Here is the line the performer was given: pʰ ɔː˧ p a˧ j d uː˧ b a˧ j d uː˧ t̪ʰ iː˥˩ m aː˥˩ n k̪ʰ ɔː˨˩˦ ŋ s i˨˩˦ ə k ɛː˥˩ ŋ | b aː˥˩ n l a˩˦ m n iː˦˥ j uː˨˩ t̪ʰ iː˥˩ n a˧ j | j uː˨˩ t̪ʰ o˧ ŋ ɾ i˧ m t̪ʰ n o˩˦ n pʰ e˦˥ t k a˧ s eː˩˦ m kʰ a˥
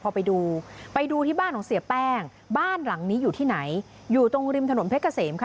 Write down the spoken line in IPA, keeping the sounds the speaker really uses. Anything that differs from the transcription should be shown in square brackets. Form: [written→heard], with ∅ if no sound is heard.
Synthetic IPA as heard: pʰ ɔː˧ p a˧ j d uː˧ [b→p] a˧ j d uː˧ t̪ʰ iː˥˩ [m→b] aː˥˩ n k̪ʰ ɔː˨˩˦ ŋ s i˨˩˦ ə [k→p] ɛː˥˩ ŋ | b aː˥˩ n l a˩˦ [m→ŋ] n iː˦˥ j uː˨˩ t̪ʰ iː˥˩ n [a˧→a˩˦] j | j uː˨˩ [t̪ʰ→t̪] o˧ ŋ ɾ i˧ m t̪ʰ n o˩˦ n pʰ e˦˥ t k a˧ s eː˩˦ m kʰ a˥